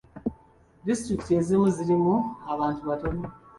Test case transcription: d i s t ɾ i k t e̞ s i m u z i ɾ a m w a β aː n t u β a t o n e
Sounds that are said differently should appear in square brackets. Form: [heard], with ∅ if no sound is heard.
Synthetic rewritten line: d i s t ɾ i k t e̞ [z] i m u z i ɾ [i] m [u] a β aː n t u β a t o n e